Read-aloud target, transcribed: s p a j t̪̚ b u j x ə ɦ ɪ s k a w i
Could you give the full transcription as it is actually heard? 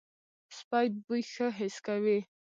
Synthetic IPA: s p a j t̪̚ b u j x ə ɦ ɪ s k a w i